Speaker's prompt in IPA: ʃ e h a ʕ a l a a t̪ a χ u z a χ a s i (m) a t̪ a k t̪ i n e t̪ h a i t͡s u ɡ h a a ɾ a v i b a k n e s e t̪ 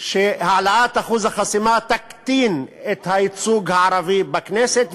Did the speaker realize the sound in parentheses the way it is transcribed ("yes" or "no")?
yes